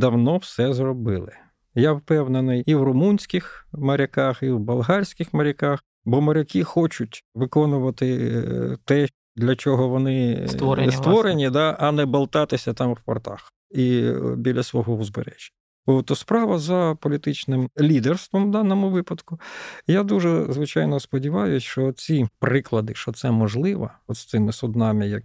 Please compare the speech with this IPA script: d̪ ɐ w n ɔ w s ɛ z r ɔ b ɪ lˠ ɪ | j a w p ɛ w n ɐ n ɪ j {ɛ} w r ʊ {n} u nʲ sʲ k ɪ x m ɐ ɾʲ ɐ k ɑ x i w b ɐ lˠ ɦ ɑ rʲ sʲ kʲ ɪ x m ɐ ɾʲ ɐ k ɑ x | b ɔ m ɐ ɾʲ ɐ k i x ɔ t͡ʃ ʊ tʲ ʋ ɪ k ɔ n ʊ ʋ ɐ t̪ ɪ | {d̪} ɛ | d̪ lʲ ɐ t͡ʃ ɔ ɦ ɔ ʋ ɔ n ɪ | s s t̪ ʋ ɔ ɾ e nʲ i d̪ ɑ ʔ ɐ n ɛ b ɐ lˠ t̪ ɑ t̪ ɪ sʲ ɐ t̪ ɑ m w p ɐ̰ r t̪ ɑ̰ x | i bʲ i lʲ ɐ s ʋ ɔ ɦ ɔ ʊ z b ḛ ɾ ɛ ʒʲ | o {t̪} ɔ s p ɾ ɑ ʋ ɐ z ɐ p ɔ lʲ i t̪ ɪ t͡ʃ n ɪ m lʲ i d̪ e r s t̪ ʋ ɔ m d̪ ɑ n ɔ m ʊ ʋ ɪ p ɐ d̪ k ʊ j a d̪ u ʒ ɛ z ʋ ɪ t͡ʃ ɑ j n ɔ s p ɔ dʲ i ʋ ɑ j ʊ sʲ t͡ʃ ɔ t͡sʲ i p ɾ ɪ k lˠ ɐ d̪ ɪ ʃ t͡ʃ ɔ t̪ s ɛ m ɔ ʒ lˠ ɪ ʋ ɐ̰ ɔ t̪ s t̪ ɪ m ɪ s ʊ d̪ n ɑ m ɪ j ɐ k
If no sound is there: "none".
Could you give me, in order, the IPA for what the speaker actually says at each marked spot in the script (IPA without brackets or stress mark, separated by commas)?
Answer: i, m, t̪, t̪